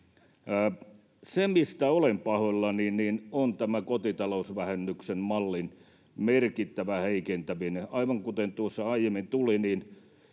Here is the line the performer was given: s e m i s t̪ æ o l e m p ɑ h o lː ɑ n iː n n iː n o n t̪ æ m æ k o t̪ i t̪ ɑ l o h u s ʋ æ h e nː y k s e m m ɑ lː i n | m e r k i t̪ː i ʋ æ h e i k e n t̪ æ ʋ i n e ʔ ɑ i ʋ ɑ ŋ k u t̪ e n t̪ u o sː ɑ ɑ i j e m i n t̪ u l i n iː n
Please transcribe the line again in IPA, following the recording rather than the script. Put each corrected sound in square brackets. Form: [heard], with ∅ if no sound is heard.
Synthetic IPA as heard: s e m i s t̪ æ o l e m p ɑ h o lː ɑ n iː n n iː n o n t̪ æ m æ k o t̪ i t̪ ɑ l o [∅] u s ʋ æ h e nː y k s e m m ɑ lː i n | m e r k i t̪ː [æ] ʋ æ h e i k e n t̪ æ ʋ i n e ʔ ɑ i ʋ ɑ ŋ k u t̪ e n t̪ u o sː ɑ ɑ i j e m i n t̪ u l i n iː n